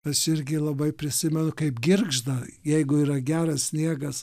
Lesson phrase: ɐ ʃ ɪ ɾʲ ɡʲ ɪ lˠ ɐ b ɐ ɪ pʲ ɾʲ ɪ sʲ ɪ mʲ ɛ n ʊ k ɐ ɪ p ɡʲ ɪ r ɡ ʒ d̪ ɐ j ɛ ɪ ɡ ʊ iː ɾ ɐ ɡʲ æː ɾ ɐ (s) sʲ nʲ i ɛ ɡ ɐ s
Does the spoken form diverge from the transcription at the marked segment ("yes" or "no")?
no